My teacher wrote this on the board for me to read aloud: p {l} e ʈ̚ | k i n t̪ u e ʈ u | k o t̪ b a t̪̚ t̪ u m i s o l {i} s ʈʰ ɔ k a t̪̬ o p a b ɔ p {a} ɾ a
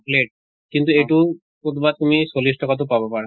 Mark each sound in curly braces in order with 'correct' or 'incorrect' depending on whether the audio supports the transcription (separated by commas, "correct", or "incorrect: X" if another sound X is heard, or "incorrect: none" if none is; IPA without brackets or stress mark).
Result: correct, correct, correct